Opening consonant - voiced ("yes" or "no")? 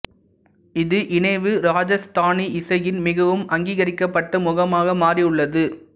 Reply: yes